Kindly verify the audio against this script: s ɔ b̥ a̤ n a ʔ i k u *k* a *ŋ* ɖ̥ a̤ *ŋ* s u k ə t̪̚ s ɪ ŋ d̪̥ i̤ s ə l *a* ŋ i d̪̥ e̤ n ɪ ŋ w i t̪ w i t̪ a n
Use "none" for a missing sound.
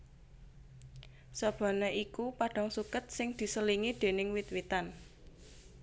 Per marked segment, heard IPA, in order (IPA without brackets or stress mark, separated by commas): p, none, ŋ, i